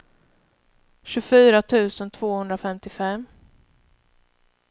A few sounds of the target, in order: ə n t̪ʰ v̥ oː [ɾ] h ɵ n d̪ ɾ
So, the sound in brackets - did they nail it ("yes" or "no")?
no